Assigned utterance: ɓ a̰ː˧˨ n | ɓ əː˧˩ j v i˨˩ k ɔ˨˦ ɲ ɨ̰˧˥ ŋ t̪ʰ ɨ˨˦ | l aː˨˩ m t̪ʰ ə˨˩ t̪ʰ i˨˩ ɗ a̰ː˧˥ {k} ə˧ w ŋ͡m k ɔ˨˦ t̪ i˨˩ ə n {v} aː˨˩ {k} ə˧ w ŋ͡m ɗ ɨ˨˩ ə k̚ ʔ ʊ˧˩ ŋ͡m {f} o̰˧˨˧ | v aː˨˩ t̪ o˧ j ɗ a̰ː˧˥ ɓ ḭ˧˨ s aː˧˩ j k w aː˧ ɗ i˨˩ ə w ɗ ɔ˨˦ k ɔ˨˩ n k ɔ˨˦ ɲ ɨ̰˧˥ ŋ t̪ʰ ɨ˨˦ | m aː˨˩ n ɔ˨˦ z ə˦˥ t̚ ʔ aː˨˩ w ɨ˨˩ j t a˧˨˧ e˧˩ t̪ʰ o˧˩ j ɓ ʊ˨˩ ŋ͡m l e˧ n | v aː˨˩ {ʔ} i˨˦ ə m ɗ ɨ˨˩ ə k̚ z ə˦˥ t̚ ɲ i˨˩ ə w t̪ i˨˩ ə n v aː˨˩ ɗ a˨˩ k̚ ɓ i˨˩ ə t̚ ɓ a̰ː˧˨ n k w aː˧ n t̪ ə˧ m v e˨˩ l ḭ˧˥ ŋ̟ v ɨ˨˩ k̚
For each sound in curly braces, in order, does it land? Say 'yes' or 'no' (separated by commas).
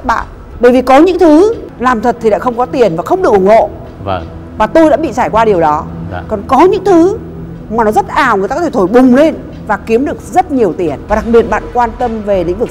no, yes, no, no, no